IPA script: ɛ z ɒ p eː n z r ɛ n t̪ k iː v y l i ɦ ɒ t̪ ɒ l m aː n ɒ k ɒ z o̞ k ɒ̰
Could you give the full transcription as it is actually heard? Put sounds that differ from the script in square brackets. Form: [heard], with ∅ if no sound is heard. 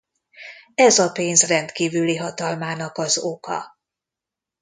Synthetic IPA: ɛ z ɒ p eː n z r ɛ n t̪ k iː v y l i ɦ ɒ t̪ ɒ l m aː n ɒ k ɒ z o̞ k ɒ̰